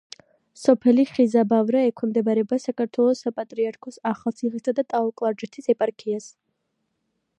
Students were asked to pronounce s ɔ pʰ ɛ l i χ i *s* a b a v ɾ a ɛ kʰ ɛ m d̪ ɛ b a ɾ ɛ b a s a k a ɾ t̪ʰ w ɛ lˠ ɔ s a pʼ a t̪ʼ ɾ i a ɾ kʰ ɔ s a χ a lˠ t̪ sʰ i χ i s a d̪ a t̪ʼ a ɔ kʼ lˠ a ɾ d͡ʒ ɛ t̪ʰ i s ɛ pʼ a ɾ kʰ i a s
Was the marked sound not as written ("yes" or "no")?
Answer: yes